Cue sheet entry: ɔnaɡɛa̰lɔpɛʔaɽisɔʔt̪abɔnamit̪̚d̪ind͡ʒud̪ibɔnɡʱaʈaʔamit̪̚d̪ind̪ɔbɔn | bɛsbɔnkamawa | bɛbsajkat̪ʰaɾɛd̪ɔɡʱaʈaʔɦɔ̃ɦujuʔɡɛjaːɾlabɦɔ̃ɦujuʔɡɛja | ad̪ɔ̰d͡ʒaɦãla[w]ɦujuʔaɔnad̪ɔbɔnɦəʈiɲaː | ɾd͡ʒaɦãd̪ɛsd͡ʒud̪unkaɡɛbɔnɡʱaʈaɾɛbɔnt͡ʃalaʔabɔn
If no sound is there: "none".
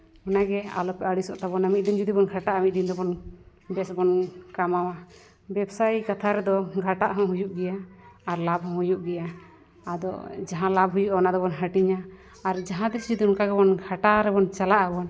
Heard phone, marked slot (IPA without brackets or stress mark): b